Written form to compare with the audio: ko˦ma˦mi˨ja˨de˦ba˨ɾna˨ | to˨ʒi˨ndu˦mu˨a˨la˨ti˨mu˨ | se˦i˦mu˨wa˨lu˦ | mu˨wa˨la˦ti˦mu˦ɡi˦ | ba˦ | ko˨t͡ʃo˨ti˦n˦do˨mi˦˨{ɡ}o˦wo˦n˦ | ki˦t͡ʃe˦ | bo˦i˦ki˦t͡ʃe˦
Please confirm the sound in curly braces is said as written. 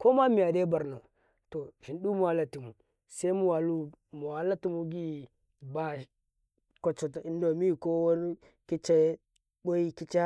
no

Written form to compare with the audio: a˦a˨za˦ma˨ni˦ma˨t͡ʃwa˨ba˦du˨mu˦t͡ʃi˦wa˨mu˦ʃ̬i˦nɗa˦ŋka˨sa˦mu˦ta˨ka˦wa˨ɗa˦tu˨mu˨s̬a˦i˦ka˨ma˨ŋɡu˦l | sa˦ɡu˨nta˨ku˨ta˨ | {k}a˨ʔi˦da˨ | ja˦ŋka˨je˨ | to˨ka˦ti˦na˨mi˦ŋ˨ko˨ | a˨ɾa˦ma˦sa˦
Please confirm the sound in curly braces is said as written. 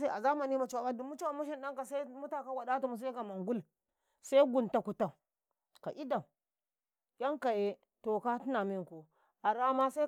yes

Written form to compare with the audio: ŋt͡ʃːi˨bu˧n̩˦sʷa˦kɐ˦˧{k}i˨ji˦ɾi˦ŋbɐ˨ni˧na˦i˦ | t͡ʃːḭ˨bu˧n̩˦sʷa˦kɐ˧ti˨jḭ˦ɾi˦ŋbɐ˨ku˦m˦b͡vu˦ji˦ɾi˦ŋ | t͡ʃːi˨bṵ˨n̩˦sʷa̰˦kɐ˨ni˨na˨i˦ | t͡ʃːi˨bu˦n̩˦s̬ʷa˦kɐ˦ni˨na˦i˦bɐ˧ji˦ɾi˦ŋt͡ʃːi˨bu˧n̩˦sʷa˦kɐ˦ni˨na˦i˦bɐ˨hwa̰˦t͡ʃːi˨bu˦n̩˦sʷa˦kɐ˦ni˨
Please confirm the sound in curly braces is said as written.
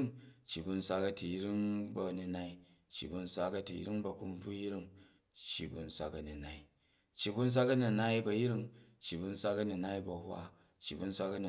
no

